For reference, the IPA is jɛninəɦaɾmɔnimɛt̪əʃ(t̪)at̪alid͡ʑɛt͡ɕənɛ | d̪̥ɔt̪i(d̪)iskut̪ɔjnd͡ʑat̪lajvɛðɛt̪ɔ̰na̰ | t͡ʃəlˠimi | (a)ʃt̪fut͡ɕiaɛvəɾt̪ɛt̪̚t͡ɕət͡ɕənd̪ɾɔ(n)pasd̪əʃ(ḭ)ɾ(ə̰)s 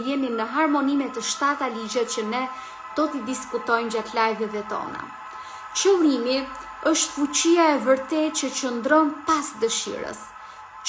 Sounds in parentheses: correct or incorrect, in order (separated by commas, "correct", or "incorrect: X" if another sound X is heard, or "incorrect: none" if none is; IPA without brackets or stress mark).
correct, correct, incorrect: ə, correct, correct, correct